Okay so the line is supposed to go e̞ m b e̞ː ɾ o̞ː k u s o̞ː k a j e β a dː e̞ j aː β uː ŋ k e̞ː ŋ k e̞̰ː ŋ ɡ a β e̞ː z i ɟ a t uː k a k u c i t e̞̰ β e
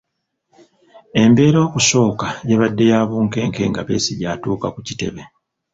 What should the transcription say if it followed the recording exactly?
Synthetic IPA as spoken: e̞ m b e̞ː ɾ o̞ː k u s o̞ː k a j e β a dː e̞ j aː β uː ŋ k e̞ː ŋ k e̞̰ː ŋ ɡ a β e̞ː s i ɟ a t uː k a k u c i t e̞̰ β e